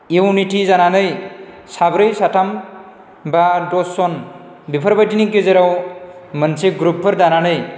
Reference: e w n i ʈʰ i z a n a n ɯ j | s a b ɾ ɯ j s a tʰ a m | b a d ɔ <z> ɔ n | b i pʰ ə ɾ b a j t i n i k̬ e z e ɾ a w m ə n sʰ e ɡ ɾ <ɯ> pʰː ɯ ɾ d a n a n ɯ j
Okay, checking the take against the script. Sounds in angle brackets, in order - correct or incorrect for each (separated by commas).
incorrect, incorrect